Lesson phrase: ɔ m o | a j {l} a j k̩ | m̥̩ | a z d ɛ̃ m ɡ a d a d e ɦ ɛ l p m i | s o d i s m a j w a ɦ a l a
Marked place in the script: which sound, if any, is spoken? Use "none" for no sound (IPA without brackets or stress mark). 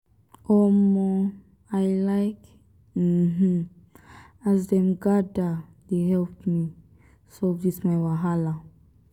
l